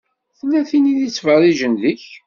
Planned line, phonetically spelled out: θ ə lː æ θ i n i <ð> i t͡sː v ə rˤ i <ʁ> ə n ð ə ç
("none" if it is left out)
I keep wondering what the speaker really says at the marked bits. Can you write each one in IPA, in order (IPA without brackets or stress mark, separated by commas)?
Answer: ð, ʒ